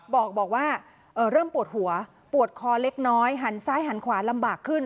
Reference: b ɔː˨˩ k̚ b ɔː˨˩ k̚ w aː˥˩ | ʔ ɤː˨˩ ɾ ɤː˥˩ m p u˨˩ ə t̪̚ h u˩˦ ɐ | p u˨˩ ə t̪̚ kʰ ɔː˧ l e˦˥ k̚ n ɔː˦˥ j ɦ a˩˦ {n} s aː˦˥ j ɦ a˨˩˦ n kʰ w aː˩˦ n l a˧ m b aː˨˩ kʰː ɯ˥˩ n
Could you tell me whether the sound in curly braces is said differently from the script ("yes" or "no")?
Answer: no